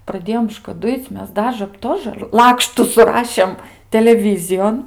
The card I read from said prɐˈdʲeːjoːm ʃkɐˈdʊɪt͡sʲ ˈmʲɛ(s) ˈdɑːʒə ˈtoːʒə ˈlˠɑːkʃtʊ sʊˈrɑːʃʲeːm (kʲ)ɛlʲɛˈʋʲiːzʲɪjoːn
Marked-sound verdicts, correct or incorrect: correct, incorrect

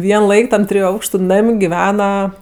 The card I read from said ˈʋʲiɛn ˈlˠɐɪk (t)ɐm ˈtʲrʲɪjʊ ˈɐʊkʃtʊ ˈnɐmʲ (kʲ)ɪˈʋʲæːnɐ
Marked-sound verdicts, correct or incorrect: correct, incorrect

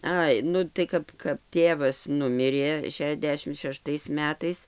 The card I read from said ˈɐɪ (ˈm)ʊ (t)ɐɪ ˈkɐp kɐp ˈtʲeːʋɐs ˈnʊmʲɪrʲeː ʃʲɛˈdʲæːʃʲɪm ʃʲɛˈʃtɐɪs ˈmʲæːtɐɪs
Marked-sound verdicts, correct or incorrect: incorrect, correct

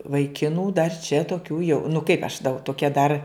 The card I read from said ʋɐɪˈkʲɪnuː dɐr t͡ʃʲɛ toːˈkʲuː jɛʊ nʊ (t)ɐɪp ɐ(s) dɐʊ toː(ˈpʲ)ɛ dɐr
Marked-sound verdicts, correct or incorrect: incorrect, incorrect, incorrect

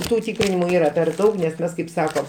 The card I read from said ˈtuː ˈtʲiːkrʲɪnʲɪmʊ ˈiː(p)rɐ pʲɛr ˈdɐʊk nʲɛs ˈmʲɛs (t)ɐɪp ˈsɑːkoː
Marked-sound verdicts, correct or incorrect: incorrect, incorrect

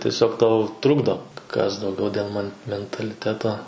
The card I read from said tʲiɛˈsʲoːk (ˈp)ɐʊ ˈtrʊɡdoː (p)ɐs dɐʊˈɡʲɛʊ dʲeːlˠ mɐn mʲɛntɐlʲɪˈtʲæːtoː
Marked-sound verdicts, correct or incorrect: incorrect, incorrect

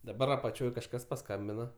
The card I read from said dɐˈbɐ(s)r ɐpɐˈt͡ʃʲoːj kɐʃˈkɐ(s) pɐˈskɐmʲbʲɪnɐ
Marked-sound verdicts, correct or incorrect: incorrect, correct

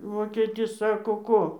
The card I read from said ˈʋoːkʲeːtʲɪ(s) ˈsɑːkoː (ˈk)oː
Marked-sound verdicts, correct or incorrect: correct, correct

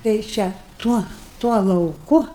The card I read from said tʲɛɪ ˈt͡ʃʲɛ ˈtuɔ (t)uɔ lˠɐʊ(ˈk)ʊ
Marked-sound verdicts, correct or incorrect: correct, correct

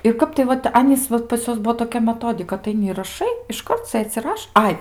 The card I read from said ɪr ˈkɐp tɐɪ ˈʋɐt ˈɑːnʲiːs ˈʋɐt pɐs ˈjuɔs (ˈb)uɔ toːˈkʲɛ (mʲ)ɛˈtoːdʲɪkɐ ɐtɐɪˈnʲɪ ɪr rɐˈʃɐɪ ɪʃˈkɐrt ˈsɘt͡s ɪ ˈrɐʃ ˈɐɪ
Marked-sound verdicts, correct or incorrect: correct, correct

